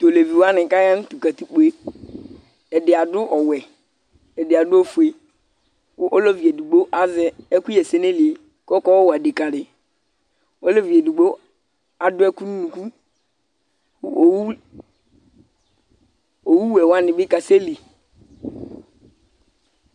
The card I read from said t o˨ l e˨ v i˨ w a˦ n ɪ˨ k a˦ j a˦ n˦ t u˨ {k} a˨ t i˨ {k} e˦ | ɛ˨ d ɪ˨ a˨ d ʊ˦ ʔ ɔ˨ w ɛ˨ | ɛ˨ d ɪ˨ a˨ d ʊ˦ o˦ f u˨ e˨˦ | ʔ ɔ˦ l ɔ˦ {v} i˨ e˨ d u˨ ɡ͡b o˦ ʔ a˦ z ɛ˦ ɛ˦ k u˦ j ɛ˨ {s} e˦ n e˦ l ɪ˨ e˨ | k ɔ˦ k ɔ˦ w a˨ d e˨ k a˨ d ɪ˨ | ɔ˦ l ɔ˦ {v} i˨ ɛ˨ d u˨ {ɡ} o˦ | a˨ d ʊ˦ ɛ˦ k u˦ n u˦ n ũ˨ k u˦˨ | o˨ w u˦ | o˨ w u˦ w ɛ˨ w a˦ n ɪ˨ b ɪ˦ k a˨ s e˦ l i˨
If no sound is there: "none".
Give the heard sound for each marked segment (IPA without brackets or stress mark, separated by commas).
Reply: k, k͡p, v, s, v, ɡ͡b